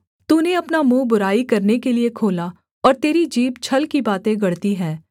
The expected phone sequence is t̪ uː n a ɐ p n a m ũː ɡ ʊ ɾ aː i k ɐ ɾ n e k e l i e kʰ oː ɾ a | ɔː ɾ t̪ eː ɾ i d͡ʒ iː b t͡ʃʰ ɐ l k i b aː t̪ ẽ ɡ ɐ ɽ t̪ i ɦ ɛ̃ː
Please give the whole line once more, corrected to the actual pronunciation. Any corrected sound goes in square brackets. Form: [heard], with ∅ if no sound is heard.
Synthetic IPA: t̪ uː n [e] ɐ p n a m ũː [b] ʊ ɾ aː i k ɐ ɾ n e k e l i e kʰ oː [l] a | ɔː ɾ t̪ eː ɾ i d͡ʒ iː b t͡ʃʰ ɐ l k i b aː t̪ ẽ ɡ ɐ ɽ t̪ i ɦ ɛ̃ː